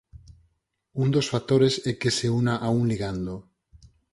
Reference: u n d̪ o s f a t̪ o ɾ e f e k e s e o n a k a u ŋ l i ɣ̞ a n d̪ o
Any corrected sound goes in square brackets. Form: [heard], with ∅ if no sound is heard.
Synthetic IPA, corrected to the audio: u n d̪ o s f a t̪ o ɾ e [s] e k e s e [u] n a [ʔ] a u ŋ l i ɣ̞ a n d̪ o